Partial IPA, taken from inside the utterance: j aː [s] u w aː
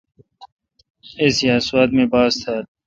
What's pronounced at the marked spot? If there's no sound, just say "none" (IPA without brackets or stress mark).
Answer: s